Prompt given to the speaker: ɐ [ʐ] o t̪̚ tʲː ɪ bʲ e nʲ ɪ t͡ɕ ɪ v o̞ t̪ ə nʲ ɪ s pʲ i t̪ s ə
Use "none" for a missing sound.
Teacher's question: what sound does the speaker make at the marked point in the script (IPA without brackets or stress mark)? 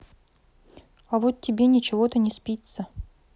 v